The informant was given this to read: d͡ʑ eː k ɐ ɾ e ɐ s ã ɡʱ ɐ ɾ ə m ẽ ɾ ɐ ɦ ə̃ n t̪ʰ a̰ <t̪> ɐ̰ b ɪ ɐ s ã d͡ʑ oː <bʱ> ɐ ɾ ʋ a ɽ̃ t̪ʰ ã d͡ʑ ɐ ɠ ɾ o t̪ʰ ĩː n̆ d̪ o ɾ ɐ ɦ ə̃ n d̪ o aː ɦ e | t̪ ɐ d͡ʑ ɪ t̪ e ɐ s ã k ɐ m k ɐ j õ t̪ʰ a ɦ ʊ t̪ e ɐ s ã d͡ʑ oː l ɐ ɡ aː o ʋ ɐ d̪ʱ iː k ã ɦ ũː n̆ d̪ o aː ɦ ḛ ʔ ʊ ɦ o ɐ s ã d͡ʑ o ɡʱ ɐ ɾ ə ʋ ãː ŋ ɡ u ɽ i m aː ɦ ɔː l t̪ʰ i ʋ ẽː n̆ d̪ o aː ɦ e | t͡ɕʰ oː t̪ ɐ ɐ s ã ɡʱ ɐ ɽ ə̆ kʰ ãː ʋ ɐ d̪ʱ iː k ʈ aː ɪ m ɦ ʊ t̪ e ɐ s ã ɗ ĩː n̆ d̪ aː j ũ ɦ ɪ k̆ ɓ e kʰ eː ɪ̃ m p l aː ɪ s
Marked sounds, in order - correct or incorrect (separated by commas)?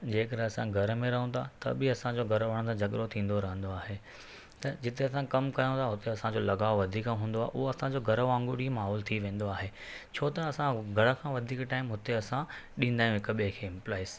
correct, incorrect